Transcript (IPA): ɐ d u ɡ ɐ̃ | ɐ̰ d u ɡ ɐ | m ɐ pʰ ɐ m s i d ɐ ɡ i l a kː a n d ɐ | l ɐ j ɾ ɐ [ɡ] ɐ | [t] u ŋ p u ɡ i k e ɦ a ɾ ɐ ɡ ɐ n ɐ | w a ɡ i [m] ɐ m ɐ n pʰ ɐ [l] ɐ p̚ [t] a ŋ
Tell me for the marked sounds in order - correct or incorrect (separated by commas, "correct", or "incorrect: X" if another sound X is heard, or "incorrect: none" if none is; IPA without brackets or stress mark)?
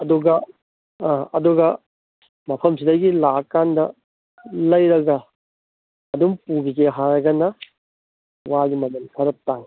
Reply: correct, incorrect: d, correct, incorrect: ɾ, correct